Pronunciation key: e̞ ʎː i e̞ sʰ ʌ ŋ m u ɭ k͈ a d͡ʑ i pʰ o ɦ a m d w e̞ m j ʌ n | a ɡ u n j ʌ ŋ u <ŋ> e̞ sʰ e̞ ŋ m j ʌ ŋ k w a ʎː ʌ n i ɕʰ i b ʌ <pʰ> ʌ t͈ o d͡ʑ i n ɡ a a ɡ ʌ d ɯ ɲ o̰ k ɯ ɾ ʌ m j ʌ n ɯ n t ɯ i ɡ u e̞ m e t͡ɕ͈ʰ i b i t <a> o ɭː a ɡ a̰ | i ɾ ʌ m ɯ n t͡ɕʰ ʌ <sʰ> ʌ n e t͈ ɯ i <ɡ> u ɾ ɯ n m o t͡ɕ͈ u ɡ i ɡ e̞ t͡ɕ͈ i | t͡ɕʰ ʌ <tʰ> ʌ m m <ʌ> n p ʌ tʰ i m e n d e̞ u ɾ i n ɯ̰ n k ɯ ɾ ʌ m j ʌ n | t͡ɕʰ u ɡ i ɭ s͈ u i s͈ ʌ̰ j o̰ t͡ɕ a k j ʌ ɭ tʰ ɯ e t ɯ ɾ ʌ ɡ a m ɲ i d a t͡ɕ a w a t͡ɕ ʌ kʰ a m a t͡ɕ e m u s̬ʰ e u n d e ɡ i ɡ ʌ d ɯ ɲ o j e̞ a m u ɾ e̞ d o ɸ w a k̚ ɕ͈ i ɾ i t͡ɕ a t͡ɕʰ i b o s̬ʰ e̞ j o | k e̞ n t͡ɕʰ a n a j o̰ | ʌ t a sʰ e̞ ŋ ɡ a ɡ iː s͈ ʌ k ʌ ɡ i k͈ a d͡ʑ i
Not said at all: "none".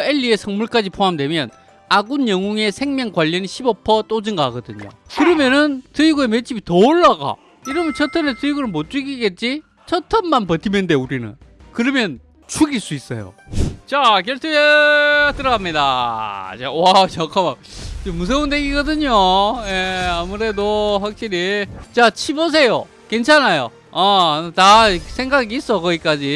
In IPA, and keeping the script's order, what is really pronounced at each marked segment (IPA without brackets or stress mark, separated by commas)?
ŋ, pʰ, ʌ, tʰ, ɡ, tʰ, a